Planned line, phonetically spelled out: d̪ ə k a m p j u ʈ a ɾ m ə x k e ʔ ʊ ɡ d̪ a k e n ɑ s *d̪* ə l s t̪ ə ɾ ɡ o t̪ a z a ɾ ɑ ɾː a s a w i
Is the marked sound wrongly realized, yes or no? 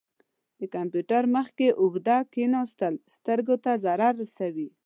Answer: yes